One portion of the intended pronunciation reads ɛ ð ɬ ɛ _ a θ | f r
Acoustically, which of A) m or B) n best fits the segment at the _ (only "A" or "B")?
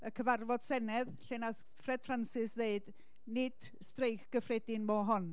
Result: B